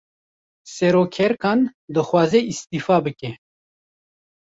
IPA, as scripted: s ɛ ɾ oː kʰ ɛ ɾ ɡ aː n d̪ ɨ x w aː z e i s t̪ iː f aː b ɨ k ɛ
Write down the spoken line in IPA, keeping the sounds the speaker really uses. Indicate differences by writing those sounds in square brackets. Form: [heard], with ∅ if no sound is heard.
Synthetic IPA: s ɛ ɾ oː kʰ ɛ ɾ [k] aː n d̪ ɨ x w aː z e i s t̪ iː f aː b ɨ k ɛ